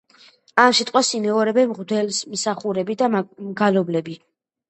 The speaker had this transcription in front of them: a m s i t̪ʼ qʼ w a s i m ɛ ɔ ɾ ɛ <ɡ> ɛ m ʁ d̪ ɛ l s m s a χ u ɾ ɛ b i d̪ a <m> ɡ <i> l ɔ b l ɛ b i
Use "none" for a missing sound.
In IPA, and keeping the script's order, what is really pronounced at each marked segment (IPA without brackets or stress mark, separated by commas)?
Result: b, m, a